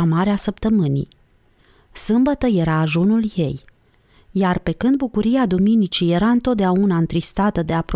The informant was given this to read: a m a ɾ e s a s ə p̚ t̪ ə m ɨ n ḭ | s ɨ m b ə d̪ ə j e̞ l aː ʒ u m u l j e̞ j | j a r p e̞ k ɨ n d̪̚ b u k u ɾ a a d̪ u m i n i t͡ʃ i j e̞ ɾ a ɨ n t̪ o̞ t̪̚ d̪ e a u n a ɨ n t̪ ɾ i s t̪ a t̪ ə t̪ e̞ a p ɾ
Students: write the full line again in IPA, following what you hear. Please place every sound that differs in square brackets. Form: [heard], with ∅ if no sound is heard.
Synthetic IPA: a m a ɾ e [∅] a s ə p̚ t̪ ə m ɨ n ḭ | s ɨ m b ə [t̪] ə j e̞ [ɾ] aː ʒ u [n] u l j e̞ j | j a r p e̞ k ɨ n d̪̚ b u k u ɾ [i] a d̪ u m i n i t͡ʃ i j e̞ ɾ a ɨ n t̪ o̞ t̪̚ d̪ e a u n a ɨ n t̪ ɾ i s t̪ a t̪ ə [d̪] e̞ a p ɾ